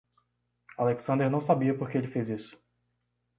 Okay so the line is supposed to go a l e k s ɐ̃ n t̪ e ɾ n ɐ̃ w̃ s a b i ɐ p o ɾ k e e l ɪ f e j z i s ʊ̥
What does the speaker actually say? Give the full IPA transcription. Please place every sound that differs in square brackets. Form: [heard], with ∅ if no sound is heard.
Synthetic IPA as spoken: a l e k s ɐ̃ n [d̪] e ɾ n ɐ̃ w̃ s a b i ɐ p o ɾ k e e l ɪ f e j z i s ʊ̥